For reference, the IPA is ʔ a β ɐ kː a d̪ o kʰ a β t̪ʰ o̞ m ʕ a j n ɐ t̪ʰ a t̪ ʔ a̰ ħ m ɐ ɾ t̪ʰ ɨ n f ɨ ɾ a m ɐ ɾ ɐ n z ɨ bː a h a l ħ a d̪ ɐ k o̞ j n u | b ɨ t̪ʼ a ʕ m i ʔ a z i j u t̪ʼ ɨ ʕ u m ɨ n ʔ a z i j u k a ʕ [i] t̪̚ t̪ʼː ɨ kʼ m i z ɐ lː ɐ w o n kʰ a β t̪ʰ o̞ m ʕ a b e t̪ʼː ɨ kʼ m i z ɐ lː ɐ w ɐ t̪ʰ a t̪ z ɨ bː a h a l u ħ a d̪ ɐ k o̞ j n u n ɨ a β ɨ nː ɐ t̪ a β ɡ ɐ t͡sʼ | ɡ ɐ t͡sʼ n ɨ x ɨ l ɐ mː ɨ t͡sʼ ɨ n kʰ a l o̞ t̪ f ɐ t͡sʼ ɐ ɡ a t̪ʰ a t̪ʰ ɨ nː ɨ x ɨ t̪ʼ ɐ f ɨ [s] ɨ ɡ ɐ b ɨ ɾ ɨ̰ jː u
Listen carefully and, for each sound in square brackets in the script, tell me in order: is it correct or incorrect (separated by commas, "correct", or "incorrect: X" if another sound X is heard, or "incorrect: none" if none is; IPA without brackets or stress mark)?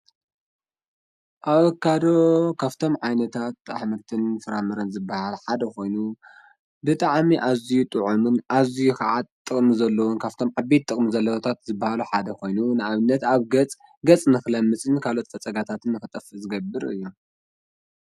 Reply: incorrect: a, incorrect: z